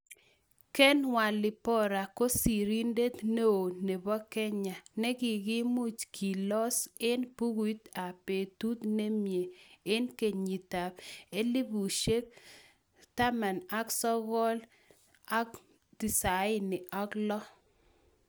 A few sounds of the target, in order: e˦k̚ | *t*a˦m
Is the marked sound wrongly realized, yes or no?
no